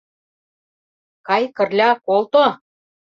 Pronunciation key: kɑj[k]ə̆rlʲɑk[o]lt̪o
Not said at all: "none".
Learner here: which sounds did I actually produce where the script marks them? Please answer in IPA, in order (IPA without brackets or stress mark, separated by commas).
k, o